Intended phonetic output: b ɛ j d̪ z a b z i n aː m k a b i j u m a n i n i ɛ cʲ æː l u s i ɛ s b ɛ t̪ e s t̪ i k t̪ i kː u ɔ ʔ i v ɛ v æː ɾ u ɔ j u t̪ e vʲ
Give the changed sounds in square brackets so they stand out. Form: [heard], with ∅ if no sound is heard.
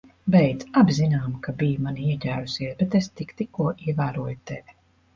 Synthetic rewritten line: b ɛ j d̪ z a b z i n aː m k a b i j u m a n i [∅] i ɛ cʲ æː [ɾ] u s i ɛ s b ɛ t̪ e s t̪ i k t̪ i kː u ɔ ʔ i [∅] ɛ v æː ɾ u ɔ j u t̪ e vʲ